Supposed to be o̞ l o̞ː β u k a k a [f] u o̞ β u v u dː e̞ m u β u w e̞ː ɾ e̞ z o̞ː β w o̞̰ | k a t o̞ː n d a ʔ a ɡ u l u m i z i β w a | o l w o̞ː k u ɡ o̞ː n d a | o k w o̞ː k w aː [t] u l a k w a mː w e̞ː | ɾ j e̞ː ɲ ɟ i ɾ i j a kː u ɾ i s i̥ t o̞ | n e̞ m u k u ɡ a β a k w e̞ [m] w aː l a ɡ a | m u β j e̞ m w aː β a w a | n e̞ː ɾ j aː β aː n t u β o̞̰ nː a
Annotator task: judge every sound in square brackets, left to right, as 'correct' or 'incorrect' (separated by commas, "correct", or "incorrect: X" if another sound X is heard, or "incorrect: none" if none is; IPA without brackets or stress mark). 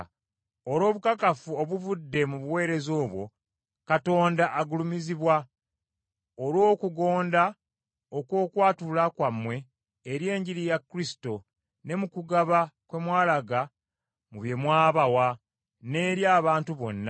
correct, correct, correct